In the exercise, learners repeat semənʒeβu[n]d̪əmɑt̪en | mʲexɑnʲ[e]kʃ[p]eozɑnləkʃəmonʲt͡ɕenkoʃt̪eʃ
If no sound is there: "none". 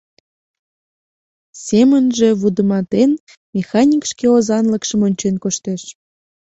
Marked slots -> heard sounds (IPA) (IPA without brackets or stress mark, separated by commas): none, i, k